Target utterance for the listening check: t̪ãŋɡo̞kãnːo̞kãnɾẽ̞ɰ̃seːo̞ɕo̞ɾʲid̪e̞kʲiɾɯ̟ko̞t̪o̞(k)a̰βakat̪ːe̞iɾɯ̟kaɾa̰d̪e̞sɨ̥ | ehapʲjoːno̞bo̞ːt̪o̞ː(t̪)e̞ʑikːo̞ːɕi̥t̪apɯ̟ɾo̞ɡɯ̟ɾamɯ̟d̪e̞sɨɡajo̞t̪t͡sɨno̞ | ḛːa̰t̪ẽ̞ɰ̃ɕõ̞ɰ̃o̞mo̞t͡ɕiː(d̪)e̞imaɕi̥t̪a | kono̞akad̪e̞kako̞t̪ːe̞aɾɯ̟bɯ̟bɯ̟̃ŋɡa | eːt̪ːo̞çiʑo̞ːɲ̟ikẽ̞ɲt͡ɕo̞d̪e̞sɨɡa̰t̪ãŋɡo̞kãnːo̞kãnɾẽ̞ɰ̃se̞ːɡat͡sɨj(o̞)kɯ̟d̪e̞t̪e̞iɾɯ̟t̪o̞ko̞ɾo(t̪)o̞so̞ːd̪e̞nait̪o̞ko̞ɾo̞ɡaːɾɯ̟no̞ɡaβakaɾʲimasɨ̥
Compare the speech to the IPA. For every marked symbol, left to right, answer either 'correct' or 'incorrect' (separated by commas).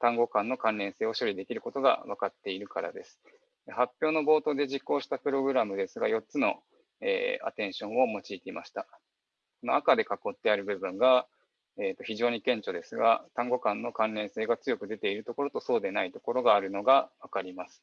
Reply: incorrect, incorrect, incorrect, correct, correct